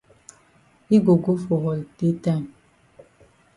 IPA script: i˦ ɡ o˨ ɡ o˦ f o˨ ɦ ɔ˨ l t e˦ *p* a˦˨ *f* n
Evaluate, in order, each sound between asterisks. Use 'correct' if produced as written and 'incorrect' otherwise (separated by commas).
incorrect, incorrect